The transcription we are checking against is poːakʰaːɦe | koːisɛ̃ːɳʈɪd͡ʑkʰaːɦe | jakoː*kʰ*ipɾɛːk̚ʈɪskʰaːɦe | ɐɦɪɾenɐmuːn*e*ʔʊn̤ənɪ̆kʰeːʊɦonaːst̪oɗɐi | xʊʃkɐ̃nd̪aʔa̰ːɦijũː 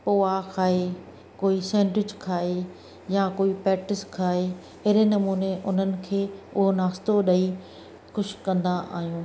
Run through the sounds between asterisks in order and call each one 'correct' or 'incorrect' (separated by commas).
incorrect, correct